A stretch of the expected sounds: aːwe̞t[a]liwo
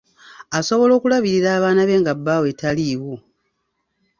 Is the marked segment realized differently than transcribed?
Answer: no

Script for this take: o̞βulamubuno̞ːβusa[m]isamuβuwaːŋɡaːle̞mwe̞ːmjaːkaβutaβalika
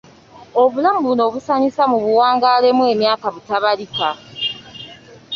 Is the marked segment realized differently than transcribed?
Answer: yes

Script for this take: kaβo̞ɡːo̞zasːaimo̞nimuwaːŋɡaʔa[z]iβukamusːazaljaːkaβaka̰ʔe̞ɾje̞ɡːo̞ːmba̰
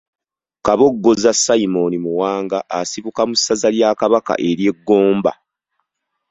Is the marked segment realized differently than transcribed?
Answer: yes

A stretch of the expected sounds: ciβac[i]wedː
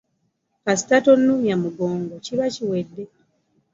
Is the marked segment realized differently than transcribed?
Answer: no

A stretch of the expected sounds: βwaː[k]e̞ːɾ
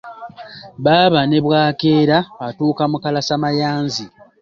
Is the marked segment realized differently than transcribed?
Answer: no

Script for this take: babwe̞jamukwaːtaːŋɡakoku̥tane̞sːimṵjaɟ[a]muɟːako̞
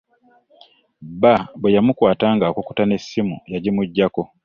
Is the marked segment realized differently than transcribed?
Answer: yes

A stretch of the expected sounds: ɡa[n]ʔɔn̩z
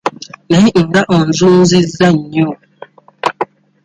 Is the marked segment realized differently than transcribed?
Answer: yes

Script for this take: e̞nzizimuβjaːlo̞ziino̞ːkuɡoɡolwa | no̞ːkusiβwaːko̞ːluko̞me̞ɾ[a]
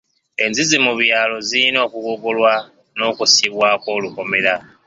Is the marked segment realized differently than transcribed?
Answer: no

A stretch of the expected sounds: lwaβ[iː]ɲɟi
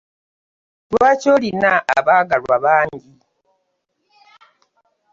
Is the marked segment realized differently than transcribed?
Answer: yes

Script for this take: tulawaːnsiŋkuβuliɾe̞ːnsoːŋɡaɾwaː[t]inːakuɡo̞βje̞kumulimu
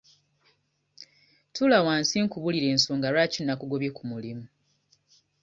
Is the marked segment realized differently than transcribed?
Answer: yes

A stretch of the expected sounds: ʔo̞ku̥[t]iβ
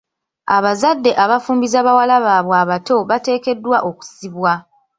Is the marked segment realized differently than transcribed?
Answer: yes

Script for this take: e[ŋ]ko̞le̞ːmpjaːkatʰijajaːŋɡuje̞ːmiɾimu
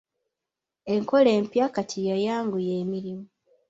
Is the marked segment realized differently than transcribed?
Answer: no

